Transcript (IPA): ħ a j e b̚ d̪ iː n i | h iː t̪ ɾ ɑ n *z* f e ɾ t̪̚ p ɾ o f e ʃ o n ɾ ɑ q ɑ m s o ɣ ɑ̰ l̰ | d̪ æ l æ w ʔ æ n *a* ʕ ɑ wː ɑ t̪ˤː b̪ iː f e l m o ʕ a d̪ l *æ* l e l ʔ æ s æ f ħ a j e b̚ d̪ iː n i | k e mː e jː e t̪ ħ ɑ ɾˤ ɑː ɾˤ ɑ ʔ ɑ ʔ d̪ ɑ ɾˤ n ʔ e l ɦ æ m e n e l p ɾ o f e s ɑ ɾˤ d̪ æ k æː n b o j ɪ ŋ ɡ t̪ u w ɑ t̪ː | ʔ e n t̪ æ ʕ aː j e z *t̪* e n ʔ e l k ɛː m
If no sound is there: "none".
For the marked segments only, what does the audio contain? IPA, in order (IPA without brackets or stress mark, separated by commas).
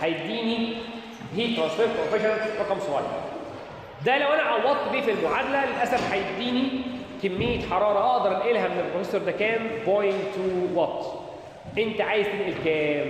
s, æ, æ, t̪